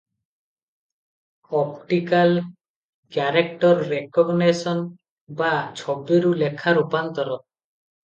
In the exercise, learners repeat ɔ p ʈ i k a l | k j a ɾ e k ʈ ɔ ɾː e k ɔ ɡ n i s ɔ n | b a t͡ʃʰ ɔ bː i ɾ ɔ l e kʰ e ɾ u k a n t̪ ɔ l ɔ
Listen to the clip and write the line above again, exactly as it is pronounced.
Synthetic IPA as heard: ɔ p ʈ i k a l | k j a ɾ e k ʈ ɔ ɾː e k ɔ ɡ n e s ɔ n | b a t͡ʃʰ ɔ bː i ɾ u l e kʰ a ɾ u p a n t̪ ɔ ɾ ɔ